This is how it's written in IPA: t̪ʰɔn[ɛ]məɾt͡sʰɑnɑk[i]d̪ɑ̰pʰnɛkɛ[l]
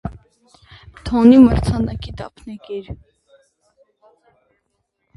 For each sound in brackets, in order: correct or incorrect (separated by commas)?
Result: incorrect, correct, incorrect